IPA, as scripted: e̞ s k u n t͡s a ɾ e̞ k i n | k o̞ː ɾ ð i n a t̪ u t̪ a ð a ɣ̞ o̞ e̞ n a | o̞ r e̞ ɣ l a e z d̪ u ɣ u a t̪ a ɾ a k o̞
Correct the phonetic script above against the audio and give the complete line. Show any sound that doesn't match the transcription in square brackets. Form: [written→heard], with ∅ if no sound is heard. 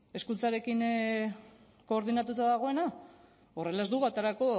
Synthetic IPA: e̞ s k u n t͡s a ɾ e̞ k i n | k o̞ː ɾ ð i n a t̪ u t̪ a ð a ɣ̞ o̞ e̞ n a | o̞ r e̞ [ɣ→∅] l a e z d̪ u ɣ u a t̪ a ɾ a k o̞

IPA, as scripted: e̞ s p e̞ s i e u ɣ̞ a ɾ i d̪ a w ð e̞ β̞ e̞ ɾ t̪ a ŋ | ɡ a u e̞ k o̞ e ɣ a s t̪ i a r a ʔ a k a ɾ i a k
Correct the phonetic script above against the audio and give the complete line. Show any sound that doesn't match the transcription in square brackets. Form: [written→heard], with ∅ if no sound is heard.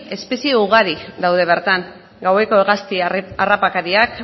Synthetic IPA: e̞ s p e̞ s i e u ɣ̞ a ɾ i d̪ a w ð e̞ β̞ e̞ ɾ t̪ a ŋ | ɡ a [u→w] e̞ k o̞ e ɣ a s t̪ i a r a [ʔ→p] a k a ɾ i a k

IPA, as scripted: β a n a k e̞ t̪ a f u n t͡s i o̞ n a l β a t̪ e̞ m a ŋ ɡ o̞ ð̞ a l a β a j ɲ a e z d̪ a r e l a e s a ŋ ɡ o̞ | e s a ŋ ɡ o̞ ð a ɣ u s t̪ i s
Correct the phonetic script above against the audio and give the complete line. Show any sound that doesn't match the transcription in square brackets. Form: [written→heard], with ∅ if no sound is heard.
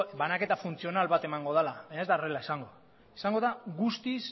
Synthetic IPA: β a n a k e̞ t̪ a f u n t͡s i o̞ n a l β a t̪ e̞ m a ŋ ɡ o̞ ð̞ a l a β a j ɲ a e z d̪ a r e l a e s a ŋ ɡ o̞ | e s a ŋ ɡ o̞ ð a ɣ u s t̪ i s

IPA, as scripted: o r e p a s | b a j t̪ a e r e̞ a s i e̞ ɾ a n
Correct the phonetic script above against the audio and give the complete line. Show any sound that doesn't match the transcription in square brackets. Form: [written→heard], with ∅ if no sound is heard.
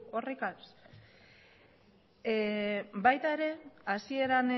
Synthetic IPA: o r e [p→k] a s | b a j t̪ a e [r→ɾ] e̞ a s i e̞ ɾ a n

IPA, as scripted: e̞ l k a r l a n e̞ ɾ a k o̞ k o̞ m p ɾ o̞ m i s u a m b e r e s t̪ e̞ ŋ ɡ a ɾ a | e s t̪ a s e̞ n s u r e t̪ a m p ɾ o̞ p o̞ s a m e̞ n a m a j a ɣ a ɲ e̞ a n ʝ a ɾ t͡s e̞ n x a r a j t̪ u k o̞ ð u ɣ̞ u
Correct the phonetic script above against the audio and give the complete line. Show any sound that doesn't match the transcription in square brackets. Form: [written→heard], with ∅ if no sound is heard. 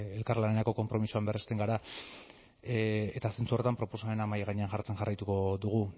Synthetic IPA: e̞ l k a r l a n e̞ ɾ a k o̞ k o̞ m p ɾ o̞ m i s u a m b e r e s t̪ e̞ ŋ ɡ a ɾ a | e [s→∅] t̪ a s e̞ n [s→t͡s] u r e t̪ a m p ɾ o̞ p o̞ s a m e̞ n a m a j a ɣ a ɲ e̞ a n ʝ a ɾ t͡s e̞ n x a r a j t̪ u k o̞ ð u ɣ̞ u

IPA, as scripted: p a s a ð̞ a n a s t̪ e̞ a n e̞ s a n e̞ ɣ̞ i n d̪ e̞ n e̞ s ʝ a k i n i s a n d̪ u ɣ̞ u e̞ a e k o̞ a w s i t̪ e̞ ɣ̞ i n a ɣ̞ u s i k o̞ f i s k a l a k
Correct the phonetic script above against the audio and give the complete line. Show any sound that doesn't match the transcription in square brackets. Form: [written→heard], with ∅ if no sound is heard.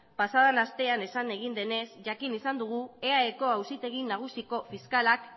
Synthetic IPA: p a s a ð̞ a n a s t̪ e̞ a n e̞ s a n e̞ ɣ̞ i n d̪ e̞ n e̞ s ʝ a k i n i s a n d̪ u ɣ̞ u e̞ a e k o̞ a w s i t̪ e̞ ɣ̞ i n a ɣ̞ u s i k o̞ f i s k a l a k

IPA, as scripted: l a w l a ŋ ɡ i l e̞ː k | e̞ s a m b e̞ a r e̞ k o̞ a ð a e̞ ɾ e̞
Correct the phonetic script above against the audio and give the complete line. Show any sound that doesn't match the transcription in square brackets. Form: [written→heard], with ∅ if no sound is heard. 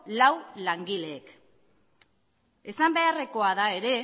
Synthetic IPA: l a w l a ŋ ɡ i l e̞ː k | e̞ s a m b e̞ a r e̞ k o̞ a ð a e̞ ɾ e̞

